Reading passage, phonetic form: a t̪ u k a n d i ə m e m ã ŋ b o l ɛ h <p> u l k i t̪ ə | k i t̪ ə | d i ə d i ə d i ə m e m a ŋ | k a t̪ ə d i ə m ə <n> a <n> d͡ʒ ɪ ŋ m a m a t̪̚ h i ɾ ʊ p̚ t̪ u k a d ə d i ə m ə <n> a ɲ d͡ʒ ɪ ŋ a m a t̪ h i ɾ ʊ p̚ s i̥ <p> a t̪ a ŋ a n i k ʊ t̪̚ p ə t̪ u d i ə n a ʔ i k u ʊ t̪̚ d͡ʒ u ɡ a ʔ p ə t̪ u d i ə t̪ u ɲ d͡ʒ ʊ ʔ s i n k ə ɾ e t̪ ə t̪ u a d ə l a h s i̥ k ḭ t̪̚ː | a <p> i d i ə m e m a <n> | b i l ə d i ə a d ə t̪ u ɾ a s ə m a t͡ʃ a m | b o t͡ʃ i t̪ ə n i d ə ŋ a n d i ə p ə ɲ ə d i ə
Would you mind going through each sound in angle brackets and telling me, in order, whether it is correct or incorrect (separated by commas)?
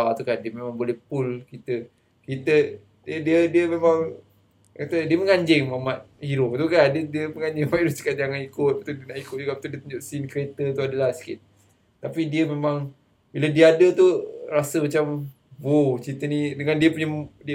correct, incorrect, incorrect, incorrect, incorrect, correct, incorrect